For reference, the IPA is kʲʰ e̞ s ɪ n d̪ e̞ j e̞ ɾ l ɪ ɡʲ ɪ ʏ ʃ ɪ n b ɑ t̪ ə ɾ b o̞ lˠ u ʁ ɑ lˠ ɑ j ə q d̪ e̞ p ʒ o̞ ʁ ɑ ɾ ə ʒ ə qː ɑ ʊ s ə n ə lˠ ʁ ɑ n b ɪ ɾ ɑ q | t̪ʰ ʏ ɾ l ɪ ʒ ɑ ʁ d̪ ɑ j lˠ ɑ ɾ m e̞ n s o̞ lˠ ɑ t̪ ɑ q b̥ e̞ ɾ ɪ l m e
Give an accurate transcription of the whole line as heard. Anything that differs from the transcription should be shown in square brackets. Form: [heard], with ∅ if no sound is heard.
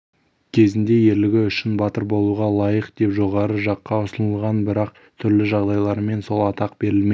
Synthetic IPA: kʲʰ e̞ [z] ɪ n d̪ e̞ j e̞ ɾ l ɪ ɡʲ ɪ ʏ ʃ ɪ n b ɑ t̪ ə ɾ b o̞ lˠ u ʁ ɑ lˠ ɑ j ə q d̪ e̞ p ʒ o̞ ʁ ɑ ɾ ə ʒ [ɑ] qː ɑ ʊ s ə n ə lˠ ʁ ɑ n b ɪ ɾ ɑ q | t̪ʰ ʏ ɾ l ɪ ʒ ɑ ʁ d̪ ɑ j lˠ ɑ ɾ m e̞ n s o̞ lˠ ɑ t̪ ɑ q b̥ e̞ ɾ ɪ l m e

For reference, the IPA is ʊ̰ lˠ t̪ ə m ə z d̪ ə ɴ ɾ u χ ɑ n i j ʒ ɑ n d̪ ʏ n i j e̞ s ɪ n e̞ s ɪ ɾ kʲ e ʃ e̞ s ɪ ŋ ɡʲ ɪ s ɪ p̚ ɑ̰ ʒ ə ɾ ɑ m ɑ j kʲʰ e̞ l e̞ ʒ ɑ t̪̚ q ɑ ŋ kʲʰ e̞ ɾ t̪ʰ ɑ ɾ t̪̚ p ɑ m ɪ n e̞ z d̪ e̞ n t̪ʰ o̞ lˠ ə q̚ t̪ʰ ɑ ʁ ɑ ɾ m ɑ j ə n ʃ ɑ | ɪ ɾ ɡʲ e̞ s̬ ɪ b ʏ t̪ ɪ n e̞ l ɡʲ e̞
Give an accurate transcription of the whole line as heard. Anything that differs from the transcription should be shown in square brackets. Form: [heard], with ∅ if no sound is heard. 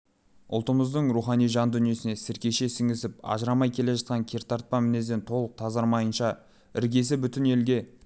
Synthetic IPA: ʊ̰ lˠ t̪ ə m ə z d̪ ə ɴ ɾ u χ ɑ n i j ʒ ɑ n d̪ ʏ n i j e̞ s ɪ n e̞ s ɪ ɾ kʲ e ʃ e̞ s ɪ ŋ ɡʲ ɪ s ɪ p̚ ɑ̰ ʒ ə ɾ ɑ m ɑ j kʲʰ e̞ l e̞ ʒ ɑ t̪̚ q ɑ ŋ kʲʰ e̞ ɾ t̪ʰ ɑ ɾ t̪̚ p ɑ m ɪ n e̞ z d̪ e̞ n t̪ʰ o̞ lˠ ə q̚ t̪ʰ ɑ [z] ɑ ɾ m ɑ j ə n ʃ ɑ | ɪ ɾ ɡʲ e̞ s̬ ɪ b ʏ t̪ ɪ n e̞ l ɡʲ e̞

